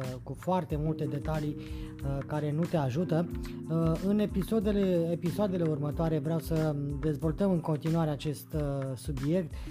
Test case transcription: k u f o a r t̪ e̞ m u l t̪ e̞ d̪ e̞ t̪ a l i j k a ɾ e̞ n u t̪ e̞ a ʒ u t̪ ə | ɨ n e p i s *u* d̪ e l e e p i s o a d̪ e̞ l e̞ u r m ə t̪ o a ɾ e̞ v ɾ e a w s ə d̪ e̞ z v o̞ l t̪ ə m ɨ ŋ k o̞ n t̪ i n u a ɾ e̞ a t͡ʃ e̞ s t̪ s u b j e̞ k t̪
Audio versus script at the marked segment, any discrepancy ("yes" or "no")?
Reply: yes